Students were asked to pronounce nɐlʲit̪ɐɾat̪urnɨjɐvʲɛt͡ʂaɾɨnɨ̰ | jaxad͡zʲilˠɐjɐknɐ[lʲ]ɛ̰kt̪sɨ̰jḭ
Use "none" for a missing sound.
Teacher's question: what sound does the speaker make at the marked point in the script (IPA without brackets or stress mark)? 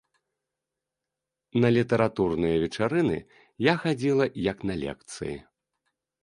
lʲ